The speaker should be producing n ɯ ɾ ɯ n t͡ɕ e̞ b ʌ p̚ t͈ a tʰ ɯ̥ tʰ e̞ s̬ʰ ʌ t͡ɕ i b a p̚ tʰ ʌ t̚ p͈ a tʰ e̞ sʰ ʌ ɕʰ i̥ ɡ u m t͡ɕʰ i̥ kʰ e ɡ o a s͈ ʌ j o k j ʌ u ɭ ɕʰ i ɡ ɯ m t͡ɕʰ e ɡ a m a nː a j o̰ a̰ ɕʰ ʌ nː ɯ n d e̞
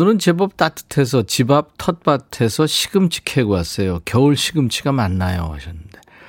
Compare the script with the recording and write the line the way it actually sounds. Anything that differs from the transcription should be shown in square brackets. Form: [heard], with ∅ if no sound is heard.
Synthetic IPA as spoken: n ɯ ɾ ɯ n t͡ɕ e̞ b ʌ p̚ t͈ a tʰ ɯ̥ tʰ e̞ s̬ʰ ʌ t͡ɕ i b a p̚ tʰ ʌ t̚ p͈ a tʰ e̞ sʰ ʌ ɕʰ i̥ ɡ [ɯ] m t͡ɕʰ i̥ kʰ e ɡ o a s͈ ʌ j o k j ʌ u ɭ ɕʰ i ɡ ɯ m t͡ɕʰ [i] ɡ a m a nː a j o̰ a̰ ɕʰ ʌ nː ɯ n d e̞